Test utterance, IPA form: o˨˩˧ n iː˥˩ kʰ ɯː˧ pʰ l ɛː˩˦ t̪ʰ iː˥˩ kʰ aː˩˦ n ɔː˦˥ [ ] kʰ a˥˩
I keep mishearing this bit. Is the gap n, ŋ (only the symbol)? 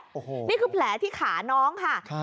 ŋ